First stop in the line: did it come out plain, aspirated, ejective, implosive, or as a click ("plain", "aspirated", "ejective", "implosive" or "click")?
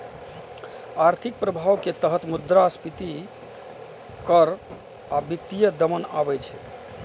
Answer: aspirated